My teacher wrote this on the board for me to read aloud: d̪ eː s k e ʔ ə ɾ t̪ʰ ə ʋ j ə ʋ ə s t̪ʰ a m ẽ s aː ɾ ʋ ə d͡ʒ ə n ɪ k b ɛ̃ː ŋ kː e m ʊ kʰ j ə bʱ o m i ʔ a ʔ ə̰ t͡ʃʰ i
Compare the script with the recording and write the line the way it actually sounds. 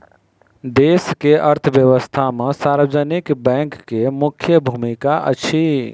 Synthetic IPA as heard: d̪ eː s k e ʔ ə ɾ t̪ʰ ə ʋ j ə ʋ ə s t̪ʰ a m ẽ s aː ɾ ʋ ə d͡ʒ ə n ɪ k b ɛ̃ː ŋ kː e m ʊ kʰ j ə bʱ u m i k a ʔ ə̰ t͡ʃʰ i